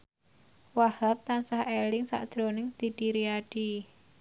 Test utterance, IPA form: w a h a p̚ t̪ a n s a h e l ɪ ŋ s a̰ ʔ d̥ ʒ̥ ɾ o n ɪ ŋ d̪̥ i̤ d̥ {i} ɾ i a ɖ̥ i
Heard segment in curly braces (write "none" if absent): i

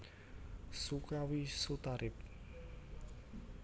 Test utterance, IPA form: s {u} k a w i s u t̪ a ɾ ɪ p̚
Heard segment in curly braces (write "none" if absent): u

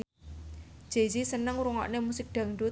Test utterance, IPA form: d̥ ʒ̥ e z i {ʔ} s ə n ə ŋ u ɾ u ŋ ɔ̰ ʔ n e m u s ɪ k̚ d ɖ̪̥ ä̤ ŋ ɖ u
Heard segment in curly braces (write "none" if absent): none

